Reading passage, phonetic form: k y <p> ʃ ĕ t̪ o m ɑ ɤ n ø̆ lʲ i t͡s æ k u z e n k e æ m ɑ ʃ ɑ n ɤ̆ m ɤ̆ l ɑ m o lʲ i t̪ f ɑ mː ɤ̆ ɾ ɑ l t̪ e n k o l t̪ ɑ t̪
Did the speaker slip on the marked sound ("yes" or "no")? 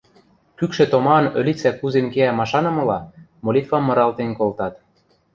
yes